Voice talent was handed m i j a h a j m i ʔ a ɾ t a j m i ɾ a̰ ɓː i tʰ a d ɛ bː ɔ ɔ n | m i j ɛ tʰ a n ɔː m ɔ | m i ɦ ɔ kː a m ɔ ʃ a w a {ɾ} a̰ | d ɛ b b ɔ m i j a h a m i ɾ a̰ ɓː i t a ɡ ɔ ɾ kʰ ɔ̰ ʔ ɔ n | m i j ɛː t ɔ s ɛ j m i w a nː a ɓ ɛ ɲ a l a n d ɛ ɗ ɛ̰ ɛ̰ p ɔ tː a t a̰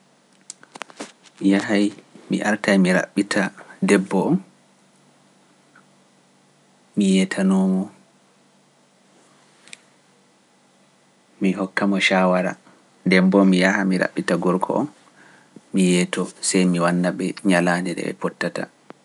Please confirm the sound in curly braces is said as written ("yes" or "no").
yes